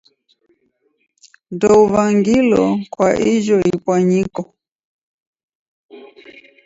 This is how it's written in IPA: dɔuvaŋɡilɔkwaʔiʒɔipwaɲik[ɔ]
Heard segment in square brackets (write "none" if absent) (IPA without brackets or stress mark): ɔ